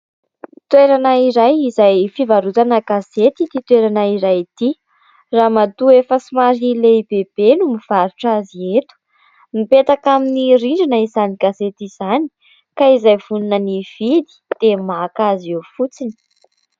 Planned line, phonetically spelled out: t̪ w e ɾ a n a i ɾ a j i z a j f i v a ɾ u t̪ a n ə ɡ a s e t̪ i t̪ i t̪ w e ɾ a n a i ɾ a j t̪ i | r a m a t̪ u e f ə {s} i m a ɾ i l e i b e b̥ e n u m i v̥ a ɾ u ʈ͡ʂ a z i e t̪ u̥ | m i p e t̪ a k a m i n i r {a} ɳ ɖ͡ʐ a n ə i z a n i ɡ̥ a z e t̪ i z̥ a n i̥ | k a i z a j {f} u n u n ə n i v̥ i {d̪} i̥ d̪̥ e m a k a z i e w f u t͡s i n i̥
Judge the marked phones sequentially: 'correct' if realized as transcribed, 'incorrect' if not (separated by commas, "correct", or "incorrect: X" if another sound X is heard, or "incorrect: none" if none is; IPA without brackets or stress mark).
correct, incorrect: i, incorrect: v, correct